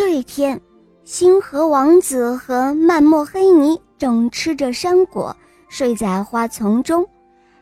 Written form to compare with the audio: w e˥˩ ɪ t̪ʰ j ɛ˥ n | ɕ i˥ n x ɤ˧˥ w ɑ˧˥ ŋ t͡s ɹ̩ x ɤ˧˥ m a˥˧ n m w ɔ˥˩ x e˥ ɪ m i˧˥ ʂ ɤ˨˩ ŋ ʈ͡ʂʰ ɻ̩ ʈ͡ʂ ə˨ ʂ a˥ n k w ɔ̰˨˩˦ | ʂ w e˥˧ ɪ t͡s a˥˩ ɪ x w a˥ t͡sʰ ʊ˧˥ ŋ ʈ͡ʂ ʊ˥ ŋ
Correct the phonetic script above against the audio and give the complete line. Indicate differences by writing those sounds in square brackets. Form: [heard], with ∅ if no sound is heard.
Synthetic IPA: w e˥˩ ɪ t̪ʰ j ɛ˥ n | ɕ i˥ n x ɤ˧˥ w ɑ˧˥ ŋ t͡s ɹ̩ x ɤ˧˥ m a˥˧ n m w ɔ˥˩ x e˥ ɪ [n] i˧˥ [ʈ͡ʂ] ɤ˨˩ ŋ ʈ͡ʂʰ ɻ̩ ʈ͡ʂ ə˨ ʂ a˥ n k w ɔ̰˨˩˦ | ʂ w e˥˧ ɪ t͡s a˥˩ ɪ x w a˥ t͡sʰ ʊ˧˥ ŋ ʈ͡ʂ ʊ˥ ŋ